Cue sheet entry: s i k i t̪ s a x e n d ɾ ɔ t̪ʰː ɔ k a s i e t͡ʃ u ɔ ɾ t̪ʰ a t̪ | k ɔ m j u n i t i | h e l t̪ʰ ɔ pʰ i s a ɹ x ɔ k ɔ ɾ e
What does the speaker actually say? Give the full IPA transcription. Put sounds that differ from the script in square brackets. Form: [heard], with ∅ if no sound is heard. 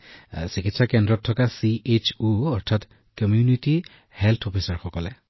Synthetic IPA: s i k i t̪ s a [k] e n d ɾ ɔ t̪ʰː ɔ k a s i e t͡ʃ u ɔ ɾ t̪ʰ a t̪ | k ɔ m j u n i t i | h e l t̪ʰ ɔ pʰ i s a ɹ x ɔ k ɔ [l] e